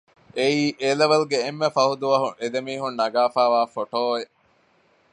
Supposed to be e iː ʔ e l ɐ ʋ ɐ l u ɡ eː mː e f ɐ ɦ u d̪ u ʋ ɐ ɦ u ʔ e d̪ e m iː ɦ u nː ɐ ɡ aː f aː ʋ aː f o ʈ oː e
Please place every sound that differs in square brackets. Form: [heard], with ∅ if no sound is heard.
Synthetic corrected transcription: e iː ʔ e l ɐ ʋ ɐ l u ɡ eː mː e f ɐ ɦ u d̪ u ʋ ɐ ɦ u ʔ e d̪ e m iː ɦ u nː ɐ ɡ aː f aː ʋ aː f o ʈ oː e